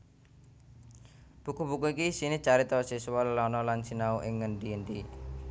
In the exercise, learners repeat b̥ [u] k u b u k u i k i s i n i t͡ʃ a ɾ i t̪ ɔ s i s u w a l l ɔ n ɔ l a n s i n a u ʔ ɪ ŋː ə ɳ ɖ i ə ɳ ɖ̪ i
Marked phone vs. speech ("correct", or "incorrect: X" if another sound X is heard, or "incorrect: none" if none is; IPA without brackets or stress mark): correct